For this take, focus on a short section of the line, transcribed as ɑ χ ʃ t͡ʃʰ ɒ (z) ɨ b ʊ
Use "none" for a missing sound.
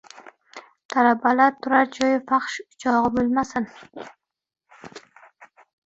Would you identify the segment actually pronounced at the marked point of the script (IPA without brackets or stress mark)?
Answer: ʁ